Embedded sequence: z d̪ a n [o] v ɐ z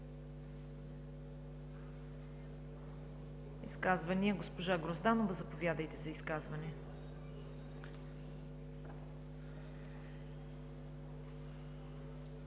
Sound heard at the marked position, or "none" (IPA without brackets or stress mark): o